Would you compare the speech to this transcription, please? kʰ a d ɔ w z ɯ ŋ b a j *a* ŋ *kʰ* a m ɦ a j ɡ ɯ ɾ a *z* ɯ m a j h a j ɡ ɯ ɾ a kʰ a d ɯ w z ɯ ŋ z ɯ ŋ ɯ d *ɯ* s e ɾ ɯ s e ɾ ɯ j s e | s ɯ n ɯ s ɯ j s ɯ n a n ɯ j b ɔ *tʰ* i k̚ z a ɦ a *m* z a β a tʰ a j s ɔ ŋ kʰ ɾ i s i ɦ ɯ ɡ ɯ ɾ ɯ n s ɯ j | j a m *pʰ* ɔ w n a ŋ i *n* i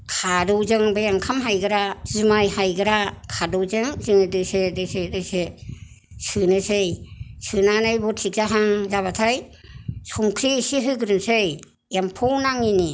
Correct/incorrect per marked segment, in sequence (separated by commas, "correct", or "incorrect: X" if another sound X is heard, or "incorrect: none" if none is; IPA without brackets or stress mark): correct, correct, correct, correct, correct, incorrect: ŋ, correct, correct